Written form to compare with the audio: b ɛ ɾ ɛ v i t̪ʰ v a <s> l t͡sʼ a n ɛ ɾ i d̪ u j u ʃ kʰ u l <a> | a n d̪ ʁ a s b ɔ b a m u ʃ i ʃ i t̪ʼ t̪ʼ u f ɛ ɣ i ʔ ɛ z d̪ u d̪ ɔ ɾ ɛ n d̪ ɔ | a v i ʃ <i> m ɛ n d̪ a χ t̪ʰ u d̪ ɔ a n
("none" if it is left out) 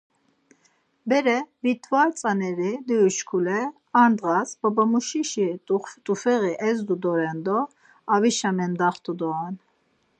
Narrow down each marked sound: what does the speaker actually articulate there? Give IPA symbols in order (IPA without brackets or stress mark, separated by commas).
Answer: none, ɛ, a